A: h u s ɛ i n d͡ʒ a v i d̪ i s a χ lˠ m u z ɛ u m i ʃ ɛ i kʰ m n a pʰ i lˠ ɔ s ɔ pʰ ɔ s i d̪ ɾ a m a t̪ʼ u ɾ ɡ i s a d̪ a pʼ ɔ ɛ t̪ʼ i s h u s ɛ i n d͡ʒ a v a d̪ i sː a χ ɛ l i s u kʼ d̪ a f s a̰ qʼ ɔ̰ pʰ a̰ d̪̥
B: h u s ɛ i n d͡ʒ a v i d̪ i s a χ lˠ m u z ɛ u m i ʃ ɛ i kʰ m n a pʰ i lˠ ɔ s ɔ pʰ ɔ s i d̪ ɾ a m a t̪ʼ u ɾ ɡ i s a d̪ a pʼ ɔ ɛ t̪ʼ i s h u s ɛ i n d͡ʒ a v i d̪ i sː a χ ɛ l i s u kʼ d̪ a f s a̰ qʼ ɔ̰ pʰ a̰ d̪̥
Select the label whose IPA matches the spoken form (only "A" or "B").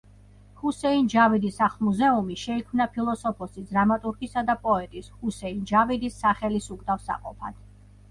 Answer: B